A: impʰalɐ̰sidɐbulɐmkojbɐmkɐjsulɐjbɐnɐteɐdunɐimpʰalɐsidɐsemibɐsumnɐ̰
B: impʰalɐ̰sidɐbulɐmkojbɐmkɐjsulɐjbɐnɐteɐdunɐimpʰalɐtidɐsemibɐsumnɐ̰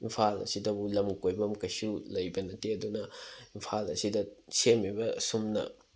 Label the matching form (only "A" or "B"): A